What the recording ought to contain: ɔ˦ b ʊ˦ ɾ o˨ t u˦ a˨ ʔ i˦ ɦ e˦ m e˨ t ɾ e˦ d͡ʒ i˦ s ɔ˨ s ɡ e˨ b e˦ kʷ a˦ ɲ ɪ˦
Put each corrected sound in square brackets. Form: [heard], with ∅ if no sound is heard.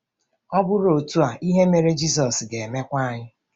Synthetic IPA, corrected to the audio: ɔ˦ b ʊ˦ ɾ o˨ t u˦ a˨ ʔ i˦ ɦ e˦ m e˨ [∅] ɾ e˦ d͡ʒ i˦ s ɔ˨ s ɡ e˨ [m] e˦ kʷ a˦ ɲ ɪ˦